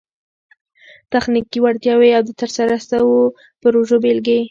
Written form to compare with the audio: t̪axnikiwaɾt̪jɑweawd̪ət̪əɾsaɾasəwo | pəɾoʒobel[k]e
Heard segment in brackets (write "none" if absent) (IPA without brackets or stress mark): ɡ